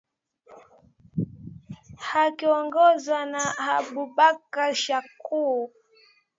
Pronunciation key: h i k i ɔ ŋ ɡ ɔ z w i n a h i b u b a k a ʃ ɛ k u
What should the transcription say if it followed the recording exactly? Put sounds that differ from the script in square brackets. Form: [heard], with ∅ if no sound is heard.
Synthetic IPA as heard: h [a] k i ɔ ŋ ɡ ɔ z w [a] n a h [a] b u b a k a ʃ [a] k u

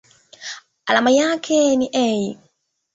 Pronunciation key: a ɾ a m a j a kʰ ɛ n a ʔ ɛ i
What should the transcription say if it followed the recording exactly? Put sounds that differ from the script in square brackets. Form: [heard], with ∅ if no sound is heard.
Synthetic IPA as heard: a [l] a m a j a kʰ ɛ n [i] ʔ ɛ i

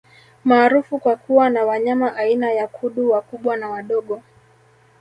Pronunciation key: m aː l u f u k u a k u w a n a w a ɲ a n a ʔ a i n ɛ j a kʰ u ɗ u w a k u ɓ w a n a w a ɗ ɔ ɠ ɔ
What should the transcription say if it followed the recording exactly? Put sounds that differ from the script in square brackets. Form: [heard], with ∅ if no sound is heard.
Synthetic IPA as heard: m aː [ɾ] u f u k [w] a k u w a n a w a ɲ a [m] a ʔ a i n [a] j a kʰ u ɗ u w a k u ɓ w a n a w a ɗ ɔ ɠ ɔ

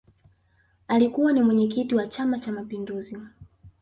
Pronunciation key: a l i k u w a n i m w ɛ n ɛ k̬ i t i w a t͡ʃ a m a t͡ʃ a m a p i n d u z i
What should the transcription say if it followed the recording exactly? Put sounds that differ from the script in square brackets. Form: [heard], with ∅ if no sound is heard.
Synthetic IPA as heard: a l i k u w a n i m w ɛ [ɲ] ɛ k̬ i t i w a t͡ʃ a m a t͡ʃ a m a p i n d u z i

